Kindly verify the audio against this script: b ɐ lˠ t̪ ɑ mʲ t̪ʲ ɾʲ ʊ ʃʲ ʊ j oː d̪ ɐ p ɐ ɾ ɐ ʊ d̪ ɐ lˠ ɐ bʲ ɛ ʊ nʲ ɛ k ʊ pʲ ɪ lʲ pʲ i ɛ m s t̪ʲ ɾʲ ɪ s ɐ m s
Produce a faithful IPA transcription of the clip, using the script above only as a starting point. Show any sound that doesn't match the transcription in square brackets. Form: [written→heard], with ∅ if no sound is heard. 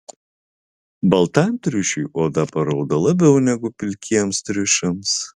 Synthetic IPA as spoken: b ɐ lˠ t̪ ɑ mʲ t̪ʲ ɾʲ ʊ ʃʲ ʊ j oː d̪ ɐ p ɐ ɾ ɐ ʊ d̪ ɐ lˠ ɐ bʲ ɛ ʊ nʲ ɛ [k→ɡ] ʊ pʲ ɪ lʲ [pʲ→kʲ] i ɛ m s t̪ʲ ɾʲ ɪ [s→ʃ] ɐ m s